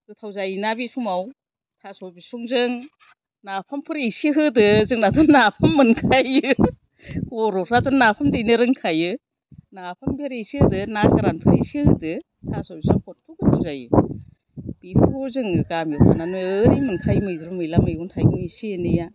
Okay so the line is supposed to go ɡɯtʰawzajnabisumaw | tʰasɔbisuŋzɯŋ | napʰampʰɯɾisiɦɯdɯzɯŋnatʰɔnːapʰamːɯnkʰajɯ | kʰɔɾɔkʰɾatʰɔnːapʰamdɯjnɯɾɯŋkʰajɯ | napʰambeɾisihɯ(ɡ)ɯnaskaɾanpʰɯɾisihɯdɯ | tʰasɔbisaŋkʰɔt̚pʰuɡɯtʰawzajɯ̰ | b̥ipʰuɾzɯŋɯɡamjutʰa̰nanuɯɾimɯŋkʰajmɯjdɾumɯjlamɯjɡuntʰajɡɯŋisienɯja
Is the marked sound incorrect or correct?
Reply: incorrect